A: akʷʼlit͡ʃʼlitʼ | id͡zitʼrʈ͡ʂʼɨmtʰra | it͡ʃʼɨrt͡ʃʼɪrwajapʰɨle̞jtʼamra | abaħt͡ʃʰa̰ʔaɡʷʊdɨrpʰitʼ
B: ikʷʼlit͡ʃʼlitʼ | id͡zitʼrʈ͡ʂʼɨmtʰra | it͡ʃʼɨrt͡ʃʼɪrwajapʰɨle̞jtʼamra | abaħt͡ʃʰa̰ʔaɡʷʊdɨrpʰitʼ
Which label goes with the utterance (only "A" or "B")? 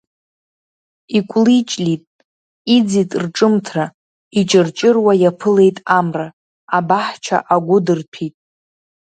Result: B